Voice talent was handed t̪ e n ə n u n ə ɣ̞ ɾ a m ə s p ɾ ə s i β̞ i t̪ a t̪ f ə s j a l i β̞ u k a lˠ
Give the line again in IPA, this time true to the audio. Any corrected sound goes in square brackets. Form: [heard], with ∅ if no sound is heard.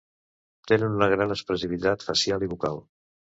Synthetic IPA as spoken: t̪ e n ə n u n ə ɣ̞ ɾ a [n] ə s p ɾ ə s i β̞ i t̪ a t̪ f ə s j a l i β̞ u k a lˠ